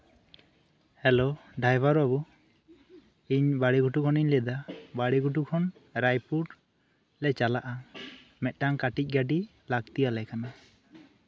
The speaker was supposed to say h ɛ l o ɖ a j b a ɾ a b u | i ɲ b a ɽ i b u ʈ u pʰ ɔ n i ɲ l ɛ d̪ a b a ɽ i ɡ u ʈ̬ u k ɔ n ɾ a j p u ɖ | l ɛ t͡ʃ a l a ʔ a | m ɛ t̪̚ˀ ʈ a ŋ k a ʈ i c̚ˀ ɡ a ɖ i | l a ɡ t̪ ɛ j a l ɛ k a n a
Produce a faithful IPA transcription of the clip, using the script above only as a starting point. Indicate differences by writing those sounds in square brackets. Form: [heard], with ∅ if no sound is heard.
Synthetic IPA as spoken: h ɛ l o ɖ a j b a ɾ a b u | i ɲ b a ɽ i [ɡ] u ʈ u [kʰ] ɔ n i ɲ l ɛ d̪ a b a ɽ i ɡ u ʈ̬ u [kʰ] ɔ n ɾ a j p u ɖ | l ɛ t͡ʃ a l a ʔ a | m ɛ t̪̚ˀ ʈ a ŋ k a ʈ i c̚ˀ ɡ a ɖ i | l a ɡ t̪ [i] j a l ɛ k a n a

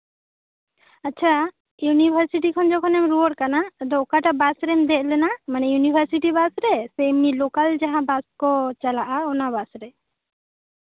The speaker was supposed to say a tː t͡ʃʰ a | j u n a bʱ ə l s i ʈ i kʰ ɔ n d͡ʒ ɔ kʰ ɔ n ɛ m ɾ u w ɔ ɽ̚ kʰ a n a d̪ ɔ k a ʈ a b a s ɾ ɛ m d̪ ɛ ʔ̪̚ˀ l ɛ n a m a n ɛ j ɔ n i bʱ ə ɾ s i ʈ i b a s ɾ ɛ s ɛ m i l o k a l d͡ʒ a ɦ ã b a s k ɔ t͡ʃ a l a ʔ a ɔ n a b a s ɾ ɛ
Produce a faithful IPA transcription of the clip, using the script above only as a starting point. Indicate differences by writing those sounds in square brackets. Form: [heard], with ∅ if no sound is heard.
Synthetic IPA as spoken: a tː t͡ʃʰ a | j u n [i] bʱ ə [ɾ] s i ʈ i kʰ ɔ n d͡ʒ ɔ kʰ ɔ n ɛ m ɾ u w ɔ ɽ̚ [k] a n a d̪ ɔ k a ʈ a b a s ɾ ɛ m d̪ ɛ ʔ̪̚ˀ l ɛ n a m a n ɛ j [u] n i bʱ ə ɾ s i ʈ i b a s ɾ ɛ s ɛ m i l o k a l d͡ʒ a ɦ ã b a s k ɔ t͡ʃ a l a ʔ a ɔ n a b a s ɾ ɛ

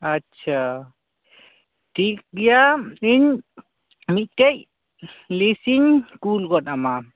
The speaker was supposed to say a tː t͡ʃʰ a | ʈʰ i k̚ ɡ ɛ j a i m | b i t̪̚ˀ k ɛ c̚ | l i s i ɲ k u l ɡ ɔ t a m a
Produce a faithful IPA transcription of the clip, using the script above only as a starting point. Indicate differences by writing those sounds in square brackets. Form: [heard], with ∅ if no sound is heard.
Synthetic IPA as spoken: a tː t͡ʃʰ a | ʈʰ i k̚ ɡ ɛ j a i [ɲ] | [m] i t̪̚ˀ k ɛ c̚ | l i s i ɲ k u l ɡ ɔ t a m a

